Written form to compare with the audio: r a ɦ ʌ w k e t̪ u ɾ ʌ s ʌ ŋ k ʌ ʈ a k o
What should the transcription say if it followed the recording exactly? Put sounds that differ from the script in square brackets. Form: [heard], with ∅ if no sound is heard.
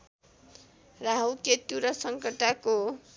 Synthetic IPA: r a ɦ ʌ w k e t̪ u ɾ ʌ s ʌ ŋ k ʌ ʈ a k o